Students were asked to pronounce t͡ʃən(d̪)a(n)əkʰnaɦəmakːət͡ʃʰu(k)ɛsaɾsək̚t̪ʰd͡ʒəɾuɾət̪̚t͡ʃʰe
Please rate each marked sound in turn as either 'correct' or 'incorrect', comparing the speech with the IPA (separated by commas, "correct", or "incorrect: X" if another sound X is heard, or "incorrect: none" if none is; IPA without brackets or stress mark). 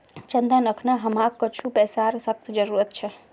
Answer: correct, correct, incorrect: p